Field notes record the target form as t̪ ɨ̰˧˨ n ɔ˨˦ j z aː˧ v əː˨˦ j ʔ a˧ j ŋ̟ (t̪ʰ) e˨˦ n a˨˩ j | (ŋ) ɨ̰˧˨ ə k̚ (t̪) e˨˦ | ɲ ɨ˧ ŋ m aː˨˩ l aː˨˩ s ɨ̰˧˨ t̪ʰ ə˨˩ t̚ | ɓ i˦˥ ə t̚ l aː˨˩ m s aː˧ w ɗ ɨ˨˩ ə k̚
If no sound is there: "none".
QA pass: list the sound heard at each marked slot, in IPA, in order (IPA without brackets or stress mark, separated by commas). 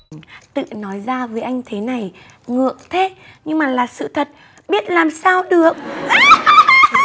t̪ʰ, ŋ, t̪ʰ